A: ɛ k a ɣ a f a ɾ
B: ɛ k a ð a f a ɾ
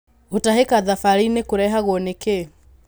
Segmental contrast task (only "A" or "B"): B